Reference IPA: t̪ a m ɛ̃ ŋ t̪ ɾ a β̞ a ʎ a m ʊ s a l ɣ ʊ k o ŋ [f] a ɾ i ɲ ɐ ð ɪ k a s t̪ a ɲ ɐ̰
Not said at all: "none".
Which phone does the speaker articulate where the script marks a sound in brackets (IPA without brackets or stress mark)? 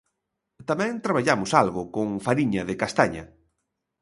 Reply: f